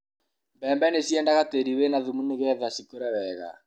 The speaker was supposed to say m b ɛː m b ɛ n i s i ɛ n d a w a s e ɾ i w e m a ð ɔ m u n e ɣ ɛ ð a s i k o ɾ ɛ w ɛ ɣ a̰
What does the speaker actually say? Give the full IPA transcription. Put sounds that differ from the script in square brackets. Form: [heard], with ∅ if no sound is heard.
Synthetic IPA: m b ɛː m b ɛ n [e] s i ɛ n d a [ɣ] a [t] e ɾ i w e [n] a ð [u] m u n e ɣ ɛ ð a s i k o ɾ ɛ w ɛ ɣ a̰